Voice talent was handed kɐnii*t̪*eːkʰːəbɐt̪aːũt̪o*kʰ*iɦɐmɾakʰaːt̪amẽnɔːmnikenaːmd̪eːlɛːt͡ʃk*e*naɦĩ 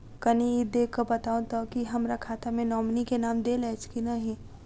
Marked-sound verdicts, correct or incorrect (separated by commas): incorrect, incorrect, incorrect